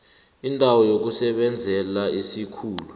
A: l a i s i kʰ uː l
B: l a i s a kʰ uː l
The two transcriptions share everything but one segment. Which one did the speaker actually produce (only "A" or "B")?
A